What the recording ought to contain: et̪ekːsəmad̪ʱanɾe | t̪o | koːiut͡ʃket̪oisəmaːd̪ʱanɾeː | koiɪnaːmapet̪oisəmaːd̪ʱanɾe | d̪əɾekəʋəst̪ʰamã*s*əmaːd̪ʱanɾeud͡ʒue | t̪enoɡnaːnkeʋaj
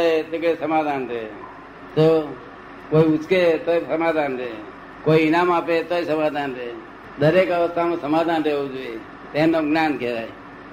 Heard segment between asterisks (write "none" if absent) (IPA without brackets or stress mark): s